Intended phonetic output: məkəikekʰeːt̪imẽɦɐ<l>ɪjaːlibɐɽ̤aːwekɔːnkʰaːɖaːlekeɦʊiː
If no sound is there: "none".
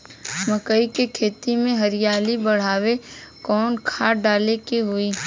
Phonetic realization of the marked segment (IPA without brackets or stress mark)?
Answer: ɾ